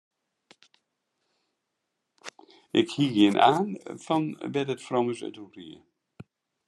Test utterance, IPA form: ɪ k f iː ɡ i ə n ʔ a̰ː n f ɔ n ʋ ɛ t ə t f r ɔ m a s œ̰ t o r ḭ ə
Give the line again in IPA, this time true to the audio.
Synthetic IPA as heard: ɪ k h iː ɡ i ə n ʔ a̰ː n f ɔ n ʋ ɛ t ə t f r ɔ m ə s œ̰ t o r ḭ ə